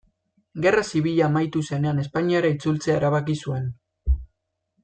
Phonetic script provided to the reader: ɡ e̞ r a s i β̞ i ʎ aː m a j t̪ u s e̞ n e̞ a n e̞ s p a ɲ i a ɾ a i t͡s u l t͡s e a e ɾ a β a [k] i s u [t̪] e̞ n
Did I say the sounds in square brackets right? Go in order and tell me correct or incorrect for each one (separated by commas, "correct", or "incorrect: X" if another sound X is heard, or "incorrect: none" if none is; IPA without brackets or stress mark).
correct, incorrect: none